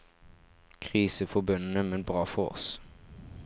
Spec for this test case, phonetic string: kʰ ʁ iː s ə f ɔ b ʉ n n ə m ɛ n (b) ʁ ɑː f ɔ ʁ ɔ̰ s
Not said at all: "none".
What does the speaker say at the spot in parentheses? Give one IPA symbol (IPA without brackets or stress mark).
b